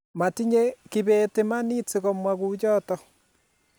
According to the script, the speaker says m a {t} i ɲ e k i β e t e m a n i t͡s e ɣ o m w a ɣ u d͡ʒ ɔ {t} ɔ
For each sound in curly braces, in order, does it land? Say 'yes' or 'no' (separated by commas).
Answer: yes, yes